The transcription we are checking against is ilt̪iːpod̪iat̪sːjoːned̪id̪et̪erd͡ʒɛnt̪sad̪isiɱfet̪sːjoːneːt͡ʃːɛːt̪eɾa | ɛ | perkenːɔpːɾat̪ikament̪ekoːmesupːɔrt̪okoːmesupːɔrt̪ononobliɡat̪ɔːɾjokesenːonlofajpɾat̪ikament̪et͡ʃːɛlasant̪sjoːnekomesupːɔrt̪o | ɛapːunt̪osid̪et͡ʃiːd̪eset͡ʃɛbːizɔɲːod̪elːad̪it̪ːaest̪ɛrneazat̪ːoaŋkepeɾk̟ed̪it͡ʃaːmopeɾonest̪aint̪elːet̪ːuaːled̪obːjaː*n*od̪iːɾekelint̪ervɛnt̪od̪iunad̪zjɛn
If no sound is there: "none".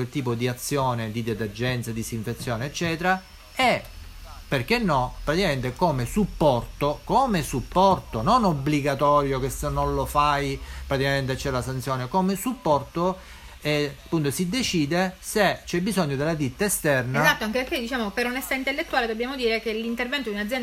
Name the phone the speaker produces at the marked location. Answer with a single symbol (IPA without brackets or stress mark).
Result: m